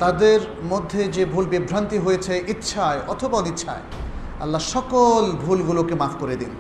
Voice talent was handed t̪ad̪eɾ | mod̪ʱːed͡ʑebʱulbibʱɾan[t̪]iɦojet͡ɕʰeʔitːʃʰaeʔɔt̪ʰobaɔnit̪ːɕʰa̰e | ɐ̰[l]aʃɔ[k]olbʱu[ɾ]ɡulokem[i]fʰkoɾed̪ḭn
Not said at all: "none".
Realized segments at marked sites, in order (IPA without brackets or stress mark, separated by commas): t̪, lː, k, l, a